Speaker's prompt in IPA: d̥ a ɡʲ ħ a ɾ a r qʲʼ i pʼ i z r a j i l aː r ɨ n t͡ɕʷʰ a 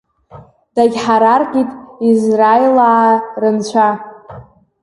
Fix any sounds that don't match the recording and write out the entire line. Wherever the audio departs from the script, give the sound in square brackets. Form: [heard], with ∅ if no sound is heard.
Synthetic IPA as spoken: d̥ a ɡʲ ħ a ɾ a r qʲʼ i [tʼ] i z r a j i l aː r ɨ n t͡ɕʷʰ a